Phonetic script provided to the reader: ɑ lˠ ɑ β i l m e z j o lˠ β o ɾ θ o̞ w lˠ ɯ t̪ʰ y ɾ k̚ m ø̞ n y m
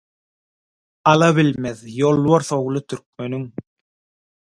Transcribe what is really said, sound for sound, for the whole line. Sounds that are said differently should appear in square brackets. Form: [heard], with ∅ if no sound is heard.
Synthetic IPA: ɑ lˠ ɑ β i l m e [ð] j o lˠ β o ɾ θ o̞ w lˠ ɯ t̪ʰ y ɾ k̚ m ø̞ n y [ŋ]

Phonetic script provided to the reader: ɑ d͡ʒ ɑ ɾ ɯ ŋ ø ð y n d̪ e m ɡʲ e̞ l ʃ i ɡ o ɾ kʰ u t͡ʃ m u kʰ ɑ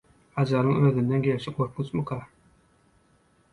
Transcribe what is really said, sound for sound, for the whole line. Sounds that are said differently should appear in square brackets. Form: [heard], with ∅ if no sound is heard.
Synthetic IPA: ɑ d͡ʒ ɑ ɾ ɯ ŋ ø ð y n d̪ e [n] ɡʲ e̞ l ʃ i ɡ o ɾ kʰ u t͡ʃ m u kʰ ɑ

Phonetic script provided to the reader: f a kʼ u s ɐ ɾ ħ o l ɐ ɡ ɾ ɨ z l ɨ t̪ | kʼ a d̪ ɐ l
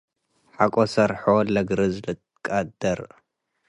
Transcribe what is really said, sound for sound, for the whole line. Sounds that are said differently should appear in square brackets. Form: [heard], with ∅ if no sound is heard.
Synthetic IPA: [ħ] a kʼ [o] s ɐ ɾ ħ o l ɐ ɡ ɾ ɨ z l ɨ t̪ | kʼ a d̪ ɐ [ɾ]

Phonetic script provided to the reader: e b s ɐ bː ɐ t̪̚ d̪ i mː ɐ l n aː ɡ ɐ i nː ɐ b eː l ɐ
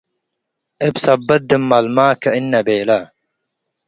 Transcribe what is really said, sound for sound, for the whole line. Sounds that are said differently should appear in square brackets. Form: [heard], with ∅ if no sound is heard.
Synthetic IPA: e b s ɐ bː ɐ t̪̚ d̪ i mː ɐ l [m] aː [k] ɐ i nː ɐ b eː l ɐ

